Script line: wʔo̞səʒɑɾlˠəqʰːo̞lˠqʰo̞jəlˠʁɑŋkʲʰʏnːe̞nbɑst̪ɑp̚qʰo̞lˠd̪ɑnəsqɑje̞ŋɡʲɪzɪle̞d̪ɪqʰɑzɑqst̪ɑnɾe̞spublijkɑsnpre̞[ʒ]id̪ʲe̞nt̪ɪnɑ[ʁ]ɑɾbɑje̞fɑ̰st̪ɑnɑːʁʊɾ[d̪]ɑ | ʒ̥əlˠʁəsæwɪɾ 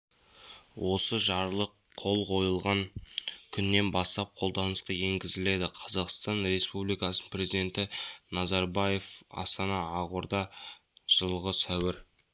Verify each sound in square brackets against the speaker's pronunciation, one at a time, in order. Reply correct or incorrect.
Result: incorrect, incorrect, correct

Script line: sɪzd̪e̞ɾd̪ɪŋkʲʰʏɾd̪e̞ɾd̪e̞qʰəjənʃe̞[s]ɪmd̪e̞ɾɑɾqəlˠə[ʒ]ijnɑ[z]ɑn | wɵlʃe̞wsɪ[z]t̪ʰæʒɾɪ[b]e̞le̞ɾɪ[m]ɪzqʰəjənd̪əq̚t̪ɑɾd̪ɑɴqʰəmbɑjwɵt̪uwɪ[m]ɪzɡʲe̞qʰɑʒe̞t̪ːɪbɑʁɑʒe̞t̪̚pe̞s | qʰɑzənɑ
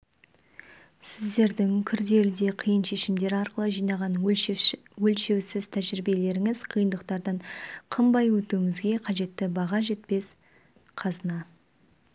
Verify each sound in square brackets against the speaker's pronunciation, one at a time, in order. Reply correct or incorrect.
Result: incorrect, correct, incorrect, correct, correct, incorrect, incorrect

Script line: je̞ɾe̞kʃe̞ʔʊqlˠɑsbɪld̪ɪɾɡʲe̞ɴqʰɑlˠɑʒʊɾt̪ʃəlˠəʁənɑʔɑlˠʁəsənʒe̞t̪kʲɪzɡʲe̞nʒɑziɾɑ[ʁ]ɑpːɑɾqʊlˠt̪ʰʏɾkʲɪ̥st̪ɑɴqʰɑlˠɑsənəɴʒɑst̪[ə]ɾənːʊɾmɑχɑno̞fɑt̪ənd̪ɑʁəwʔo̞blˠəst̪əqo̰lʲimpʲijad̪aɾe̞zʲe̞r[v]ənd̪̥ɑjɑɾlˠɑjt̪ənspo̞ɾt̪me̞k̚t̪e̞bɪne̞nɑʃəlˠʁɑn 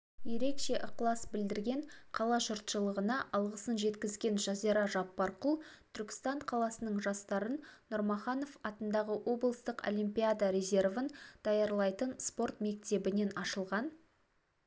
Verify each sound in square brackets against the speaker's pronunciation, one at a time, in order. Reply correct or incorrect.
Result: incorrect, incorrect, correct

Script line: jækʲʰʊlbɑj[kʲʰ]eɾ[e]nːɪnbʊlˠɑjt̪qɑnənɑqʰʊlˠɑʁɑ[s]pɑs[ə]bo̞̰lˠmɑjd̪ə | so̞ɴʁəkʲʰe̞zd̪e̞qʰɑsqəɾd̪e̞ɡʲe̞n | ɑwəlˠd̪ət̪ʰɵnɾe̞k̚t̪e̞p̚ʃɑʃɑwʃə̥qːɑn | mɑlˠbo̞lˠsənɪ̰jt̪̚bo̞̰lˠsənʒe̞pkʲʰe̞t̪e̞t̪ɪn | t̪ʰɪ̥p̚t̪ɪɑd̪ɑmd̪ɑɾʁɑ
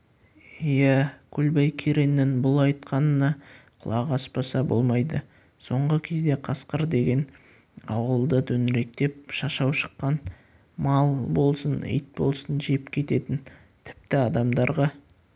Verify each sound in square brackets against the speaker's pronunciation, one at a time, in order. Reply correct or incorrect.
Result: correct, correct, correct, incorrect

